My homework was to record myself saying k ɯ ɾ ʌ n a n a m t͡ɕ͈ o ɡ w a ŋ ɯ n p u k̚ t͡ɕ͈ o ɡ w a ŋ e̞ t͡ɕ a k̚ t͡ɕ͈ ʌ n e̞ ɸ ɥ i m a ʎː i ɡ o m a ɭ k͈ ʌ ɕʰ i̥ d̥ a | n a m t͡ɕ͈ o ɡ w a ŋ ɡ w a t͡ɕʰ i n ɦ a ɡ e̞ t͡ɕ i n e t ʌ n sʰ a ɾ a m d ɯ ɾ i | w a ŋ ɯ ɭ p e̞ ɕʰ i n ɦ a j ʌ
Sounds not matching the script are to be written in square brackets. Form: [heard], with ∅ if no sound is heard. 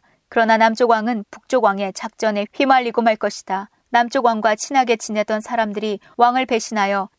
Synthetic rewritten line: k ɯ ɾ ʌ n a n a m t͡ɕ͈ o ɡ w a ŋ ɯ n p u k̚ t͡ɕ͈ o ɡ w a ŋ e̞ t͡ɕ a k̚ t͡ɕ͈ ʌ n e̞ ɸ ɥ i m a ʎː i ɡ o m a ɭ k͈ ʌ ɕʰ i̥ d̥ a | n a m t͡ɕ͈ o ɡ w a ŋ ɡ w a t͡ɕʰ i n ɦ a ɡ e̞ t͡ɕ i n e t ʌ n sʰ a ɾ a m d ɯ ɾ i | w a ŋ ɯ ɭ p e̞ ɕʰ i n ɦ a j ʌ